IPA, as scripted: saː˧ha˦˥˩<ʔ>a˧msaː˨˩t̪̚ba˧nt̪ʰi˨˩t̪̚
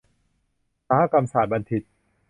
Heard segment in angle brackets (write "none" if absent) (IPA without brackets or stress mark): k